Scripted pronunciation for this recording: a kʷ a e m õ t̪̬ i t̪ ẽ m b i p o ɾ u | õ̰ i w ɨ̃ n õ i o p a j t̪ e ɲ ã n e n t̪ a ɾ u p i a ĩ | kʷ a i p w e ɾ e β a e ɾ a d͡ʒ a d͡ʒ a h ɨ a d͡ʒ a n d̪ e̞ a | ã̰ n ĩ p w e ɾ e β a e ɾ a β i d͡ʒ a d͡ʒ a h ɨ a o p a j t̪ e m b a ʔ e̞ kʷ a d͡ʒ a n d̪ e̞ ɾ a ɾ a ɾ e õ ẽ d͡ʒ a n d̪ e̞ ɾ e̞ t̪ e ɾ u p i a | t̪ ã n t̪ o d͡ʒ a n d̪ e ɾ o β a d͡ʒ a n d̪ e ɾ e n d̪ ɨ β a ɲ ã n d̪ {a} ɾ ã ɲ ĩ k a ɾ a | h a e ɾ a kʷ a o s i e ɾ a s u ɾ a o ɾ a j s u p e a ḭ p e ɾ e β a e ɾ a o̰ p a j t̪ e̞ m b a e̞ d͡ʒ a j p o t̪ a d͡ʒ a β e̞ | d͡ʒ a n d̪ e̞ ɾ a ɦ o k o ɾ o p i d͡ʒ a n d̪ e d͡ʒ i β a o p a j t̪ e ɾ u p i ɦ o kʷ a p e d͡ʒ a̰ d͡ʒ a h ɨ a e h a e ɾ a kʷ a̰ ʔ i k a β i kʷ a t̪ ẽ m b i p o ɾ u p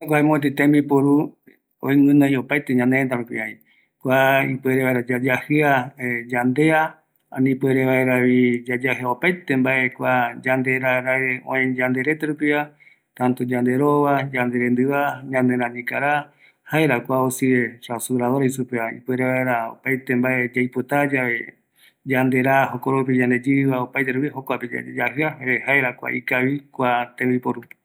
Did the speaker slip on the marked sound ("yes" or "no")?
yes